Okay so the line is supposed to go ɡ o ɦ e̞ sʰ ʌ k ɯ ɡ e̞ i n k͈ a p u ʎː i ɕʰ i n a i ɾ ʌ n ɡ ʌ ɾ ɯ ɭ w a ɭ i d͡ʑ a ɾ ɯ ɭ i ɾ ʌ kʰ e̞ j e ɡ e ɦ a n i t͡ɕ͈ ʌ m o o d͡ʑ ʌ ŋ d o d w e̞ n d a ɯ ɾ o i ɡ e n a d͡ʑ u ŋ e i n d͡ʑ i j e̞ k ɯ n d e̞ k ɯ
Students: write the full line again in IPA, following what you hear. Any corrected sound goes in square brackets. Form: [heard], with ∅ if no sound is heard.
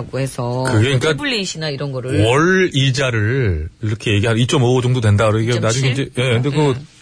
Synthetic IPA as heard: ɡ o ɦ e̞ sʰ ʌ k ɯ ɡ e̞ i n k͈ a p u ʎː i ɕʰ i n a i ɾ ʌ n ɡ ʌ ɾ ɯ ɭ w [ʌ] ɭ i d͡ʑ a ɾ ɯ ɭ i ɾ ʌ kʰ e̞ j e ɡ [i] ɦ a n i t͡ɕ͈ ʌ m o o d͡ʑ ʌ ŋ d o d w e̞ n d a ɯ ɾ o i ɡ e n a d͡ʑ u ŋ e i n d͡ʑ [e] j e̞ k ɯ n d e̞ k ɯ